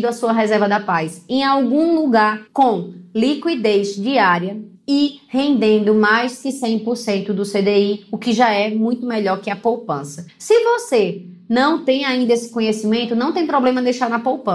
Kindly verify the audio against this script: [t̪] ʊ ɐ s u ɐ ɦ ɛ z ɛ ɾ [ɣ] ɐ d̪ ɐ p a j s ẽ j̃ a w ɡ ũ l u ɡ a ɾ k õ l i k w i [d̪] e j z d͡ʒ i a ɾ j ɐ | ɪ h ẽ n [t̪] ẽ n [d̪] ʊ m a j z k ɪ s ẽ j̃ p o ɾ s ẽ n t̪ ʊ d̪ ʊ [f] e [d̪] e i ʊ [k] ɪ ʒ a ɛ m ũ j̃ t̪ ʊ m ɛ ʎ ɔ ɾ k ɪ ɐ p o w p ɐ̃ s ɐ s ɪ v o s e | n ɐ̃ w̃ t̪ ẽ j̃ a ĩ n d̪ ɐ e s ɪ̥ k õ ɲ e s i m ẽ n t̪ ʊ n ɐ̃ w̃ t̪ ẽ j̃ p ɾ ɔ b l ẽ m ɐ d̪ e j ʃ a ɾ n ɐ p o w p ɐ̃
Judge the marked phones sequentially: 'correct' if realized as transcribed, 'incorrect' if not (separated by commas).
incorrect, incorrect, correct, incorrect, correct, incorrect, correct, correct